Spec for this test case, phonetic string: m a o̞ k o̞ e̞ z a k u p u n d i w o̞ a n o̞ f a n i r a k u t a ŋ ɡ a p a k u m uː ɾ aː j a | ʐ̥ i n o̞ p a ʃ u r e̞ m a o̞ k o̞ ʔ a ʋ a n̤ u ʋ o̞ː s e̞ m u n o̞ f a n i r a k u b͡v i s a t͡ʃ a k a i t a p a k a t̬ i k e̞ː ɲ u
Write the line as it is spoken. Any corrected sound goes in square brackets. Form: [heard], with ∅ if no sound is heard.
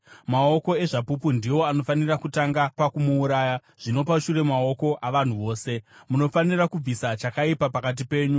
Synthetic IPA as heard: m a o̞ k o̞ e̞ [ʐ] a [p] u p u n d i w o̞ a n o̞ f a n i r a k u t a ŋ ɡ a p a k u m uː ɾ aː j a | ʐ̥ i n o̞ p a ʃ u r e̞ m a o̞ k o̞ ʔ a ʋ a n̤ u ʋ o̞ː s e̞ m u n o̞ f a n i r a k u b͡v i s a t͡ʃ a k a i [p] a p a k a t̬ i [p] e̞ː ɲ u